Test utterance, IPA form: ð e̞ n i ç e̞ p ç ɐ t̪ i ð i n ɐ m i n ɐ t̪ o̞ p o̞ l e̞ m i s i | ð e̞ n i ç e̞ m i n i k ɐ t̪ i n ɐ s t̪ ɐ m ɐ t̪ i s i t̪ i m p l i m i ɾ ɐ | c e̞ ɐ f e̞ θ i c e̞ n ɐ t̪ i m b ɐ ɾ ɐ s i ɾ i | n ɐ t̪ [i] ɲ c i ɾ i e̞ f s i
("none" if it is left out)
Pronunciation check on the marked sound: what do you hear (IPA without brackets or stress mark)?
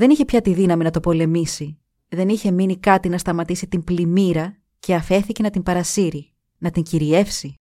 i